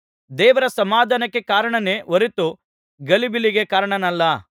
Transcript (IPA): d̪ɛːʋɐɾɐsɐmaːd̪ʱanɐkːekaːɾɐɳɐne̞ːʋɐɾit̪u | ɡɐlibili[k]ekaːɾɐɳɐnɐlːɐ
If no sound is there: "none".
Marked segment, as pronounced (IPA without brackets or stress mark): ɡ